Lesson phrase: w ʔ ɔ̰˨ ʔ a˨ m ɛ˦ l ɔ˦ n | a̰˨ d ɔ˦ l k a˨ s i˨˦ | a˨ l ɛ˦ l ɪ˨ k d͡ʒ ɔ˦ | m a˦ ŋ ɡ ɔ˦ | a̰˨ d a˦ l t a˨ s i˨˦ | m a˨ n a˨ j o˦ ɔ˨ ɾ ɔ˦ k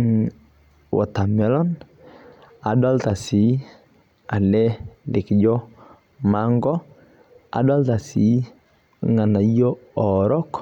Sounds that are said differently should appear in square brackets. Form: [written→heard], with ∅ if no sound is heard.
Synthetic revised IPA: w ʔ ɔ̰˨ [ʔ→t] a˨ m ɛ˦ l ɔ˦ n | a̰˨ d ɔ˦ l [k→t] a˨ s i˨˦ | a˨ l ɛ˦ l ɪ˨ k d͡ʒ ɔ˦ | m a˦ ŋ ɡ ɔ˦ | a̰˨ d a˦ l t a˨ s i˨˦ | [m→ŋ] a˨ n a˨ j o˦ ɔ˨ ɾ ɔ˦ k